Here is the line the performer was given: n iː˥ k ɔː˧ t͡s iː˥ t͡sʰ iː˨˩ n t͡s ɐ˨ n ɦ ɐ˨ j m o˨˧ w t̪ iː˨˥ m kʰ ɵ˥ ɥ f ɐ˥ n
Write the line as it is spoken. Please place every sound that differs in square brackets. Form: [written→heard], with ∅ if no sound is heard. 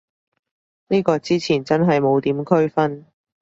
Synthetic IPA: n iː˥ k ɔː˧ t͡s iː˥ t͡sʰ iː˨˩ n t͡s [ɐ˨→ɐ˥] n ɦ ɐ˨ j m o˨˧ w t̪ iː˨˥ m kʰ ɵ˥ ɥ f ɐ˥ n